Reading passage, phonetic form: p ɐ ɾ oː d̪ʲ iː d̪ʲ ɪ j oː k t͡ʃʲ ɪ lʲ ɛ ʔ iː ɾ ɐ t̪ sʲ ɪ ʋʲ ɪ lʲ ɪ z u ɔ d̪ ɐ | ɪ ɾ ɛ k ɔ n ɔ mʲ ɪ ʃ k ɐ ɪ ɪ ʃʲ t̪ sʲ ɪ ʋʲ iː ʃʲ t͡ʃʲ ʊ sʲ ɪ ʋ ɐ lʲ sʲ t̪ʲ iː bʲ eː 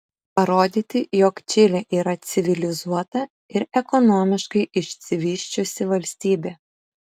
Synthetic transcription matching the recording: p ɐ ɾ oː d̪ʲ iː t̪ʲ ɪ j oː k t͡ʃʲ ɪ lʲ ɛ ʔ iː ɾ ɐ t̪ sʲ ɪ ʋʲ ɪ lʲ ɪ z u ɔ t̪ ɐ | ɪ ɾ ɛ k ɔ n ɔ mʲ ɪ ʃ k ɐ ɪ ɪ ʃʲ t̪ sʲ ɪ ʋʲ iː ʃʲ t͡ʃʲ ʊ sʲ ɪ ʋ ɐ lʲ sʲ t̪ʲ iː bʲ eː